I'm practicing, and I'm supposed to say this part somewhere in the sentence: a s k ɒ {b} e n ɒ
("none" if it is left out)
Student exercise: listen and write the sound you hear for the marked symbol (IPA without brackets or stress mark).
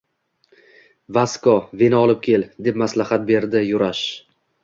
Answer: v